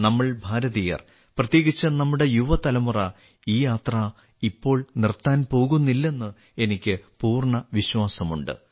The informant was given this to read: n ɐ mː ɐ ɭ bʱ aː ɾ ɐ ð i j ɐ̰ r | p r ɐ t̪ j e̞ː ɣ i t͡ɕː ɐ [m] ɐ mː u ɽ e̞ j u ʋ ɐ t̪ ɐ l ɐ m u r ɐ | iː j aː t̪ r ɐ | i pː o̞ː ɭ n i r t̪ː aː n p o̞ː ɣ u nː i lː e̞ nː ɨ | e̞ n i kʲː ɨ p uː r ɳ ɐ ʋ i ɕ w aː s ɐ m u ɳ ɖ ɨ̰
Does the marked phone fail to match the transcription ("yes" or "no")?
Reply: yes